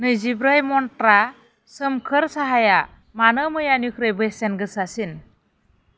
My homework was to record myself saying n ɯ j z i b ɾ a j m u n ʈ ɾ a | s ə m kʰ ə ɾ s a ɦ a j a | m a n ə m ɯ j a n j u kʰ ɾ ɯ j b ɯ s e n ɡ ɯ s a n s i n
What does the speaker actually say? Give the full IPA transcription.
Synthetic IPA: n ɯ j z i b ɾ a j m ɔ n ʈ ɾ a | s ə m kʰ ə ɾ s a ɦ a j a | m a n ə m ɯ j a n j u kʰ ɾ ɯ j b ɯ s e n ɡ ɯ s a s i n

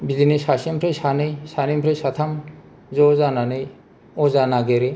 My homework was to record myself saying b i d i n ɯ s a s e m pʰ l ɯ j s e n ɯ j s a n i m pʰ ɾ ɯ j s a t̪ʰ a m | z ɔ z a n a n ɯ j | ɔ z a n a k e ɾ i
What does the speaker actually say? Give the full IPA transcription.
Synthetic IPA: b i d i n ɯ s a s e m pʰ ɾ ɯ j s a n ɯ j s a n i m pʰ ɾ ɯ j s a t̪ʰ a m | z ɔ z a n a n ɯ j | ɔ z a n a ɡ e ɾ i

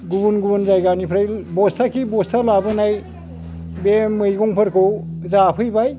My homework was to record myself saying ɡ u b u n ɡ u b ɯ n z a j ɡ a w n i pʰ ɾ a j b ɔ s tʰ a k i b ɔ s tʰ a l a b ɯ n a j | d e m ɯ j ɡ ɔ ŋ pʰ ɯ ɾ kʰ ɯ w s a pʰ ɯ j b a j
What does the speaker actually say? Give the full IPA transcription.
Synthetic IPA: ɡ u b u n ɡ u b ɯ n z a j ɡ a n i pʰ ɾ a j b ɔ s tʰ a k i b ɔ s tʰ a l a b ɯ n a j | b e m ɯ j ɡ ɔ ŋ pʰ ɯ ɾ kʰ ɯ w z a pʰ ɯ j b a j

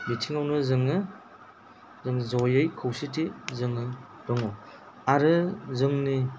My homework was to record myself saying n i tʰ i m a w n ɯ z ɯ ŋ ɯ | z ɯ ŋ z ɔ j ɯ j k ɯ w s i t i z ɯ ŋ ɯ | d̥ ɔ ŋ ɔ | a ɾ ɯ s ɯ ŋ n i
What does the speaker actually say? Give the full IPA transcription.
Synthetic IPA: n i tʰ i ŋ a w n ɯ z ɯ ŋ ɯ | z ɯ ŋ z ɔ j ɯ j kʰ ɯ w s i t i z ɯ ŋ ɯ | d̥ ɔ ŋ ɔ | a ɾ ɯ z ɯ ŋ n i

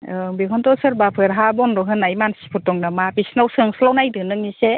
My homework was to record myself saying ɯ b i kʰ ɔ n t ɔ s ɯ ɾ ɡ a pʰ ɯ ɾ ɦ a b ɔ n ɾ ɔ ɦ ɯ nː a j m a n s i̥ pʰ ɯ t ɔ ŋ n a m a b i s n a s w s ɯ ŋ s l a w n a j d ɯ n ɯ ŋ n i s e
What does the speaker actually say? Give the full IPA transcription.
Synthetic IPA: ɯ b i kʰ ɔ n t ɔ s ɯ ɾ b a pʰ ɯ ɾ ɦ a b ɔ n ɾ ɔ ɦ ɯ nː a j m a n s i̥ pʰ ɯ t ɔ ŋ n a m a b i s n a w s ɯ ŋ s l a w n a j d ɯ n ɯ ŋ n i s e

